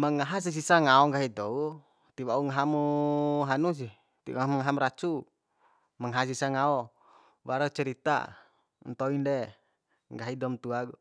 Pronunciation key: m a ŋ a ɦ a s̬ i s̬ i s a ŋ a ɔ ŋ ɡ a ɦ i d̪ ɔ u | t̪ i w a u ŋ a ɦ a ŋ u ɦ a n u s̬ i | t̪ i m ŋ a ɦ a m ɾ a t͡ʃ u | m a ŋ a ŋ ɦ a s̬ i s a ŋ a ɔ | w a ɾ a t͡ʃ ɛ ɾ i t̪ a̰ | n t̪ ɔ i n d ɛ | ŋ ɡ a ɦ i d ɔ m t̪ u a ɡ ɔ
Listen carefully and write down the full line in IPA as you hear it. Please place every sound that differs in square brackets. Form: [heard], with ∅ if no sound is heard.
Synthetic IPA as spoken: m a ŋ a ɦ a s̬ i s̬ i s a ŋ a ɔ ŋ ɡ a ɦ i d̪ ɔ u | t̪ i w a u ŋ a ɦ a [m] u ɦ a n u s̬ i | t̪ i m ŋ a ɦ a m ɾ a t͡ʃ u | m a ŋ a [∅] ɦ a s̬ i s a ŋ a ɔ | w a ɾ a t͡ʃ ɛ ɾ i t̪ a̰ | n t̪ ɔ i n d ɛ | ŋ ɡ a ɦ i d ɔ m t̪ u a ɡ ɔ